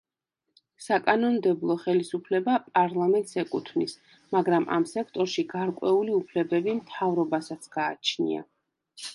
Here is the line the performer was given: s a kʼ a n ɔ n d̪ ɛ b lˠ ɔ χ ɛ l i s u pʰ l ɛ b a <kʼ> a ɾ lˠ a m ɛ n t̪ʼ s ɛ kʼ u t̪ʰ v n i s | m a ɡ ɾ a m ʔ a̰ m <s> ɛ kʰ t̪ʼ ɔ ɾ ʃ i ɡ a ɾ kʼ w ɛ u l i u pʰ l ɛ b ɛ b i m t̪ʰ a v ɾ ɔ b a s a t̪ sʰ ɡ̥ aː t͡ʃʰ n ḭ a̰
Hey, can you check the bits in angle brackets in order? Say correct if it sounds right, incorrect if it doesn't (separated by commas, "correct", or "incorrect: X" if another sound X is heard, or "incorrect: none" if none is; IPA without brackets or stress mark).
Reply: incorrect: pʼ, correct